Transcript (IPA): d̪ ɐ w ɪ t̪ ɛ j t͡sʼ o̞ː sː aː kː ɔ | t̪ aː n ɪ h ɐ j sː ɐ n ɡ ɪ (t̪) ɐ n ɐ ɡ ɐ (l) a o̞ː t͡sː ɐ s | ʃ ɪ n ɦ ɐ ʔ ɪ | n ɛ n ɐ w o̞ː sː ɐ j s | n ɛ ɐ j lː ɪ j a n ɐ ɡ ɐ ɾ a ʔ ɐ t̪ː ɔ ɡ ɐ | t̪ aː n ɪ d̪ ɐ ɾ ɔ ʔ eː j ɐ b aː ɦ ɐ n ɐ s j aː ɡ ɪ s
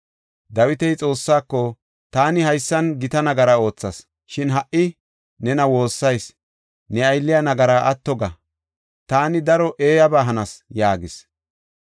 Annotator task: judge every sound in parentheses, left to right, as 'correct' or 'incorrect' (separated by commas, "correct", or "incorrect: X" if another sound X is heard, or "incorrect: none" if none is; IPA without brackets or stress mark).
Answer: correct, incorrect: ɾ